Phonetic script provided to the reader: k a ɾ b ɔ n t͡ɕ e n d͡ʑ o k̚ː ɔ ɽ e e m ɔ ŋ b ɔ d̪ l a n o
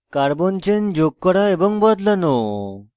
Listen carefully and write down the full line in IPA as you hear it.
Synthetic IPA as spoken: k a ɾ b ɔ n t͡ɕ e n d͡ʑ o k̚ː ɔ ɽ a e b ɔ ŋ b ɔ d̪ l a n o